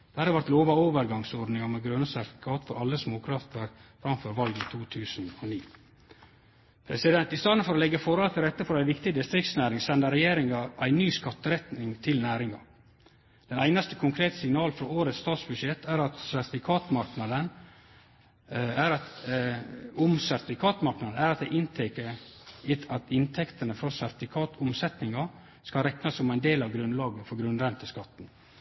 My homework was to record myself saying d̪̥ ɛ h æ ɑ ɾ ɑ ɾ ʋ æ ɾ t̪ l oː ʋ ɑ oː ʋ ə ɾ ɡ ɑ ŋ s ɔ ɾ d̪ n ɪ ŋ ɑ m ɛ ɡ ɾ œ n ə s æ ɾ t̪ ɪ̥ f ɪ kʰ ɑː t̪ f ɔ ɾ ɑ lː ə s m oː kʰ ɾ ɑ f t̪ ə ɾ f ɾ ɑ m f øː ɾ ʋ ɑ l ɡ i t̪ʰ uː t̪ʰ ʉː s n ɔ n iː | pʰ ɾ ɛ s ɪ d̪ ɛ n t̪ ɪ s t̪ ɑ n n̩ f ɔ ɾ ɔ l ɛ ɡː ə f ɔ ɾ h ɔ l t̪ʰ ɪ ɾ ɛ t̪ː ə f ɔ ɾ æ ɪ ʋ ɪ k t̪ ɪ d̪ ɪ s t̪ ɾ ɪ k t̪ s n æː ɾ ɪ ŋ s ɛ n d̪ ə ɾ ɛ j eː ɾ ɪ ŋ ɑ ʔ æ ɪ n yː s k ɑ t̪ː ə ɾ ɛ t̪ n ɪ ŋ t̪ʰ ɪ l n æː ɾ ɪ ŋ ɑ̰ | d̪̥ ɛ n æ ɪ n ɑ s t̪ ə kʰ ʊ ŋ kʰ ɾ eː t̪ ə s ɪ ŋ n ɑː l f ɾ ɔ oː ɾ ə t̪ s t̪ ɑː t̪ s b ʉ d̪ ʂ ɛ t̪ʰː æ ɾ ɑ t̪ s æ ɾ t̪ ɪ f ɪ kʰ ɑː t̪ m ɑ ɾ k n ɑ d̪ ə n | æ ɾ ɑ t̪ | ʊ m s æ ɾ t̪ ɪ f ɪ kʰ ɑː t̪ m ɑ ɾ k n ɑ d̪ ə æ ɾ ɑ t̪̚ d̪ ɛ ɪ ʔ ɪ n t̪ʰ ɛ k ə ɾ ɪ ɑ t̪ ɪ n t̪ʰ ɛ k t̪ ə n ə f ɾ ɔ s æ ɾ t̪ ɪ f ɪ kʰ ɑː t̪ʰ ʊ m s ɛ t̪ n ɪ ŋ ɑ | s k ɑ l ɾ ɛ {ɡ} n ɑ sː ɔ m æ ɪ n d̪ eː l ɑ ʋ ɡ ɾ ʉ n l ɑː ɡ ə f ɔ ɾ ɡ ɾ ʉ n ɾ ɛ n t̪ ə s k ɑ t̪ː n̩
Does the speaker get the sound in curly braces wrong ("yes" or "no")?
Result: yes